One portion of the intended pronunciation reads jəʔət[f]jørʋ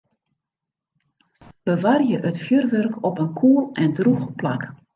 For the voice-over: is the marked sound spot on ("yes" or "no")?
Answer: yes